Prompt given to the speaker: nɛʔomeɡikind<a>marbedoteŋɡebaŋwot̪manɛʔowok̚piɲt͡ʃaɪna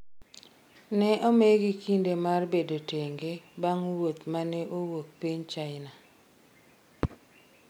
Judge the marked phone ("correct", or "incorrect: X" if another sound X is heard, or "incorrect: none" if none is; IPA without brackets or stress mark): incorrect: e